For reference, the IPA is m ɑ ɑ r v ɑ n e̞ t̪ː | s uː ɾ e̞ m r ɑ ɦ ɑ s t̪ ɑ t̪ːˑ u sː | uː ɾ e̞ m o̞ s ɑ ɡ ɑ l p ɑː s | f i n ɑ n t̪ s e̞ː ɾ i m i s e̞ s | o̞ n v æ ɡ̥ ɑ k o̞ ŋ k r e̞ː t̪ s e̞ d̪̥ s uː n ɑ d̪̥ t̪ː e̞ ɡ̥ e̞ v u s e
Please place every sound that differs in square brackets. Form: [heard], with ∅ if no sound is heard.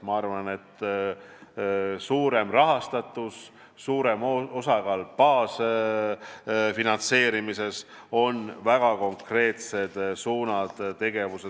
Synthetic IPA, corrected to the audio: m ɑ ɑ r v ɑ n e̞ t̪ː | s uː ɾ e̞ m r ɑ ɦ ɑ s t̪ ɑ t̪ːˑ u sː | uː ɾ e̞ m o̞ s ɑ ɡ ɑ l p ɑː s | f i n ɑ n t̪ s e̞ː ɾ i m i s e̞ s | o̞ n v æ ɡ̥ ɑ k o̞ ŋ k r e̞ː t̪ s e̞ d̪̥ s uː n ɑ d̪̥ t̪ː e̞ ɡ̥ e̞ v u s e